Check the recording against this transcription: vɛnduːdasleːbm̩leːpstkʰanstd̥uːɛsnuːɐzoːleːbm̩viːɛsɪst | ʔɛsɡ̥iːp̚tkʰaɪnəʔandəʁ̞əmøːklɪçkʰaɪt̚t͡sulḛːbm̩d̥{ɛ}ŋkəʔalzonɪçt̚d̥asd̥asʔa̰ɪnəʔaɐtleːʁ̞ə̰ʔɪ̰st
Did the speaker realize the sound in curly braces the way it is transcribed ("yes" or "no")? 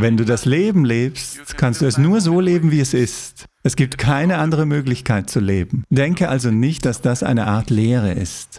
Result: yes